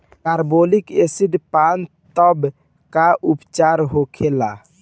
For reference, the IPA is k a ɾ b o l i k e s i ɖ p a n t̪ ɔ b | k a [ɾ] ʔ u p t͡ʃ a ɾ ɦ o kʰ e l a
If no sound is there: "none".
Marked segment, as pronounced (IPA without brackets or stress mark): none